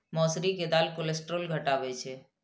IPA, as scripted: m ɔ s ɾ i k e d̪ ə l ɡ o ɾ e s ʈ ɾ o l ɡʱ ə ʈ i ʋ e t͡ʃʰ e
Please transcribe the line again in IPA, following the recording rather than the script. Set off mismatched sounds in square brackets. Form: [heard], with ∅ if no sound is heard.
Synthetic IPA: m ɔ s ɾ i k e d̪ [a] l [k] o [l] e s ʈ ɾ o l ɡʱ ə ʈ [a] ʋ e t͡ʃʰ e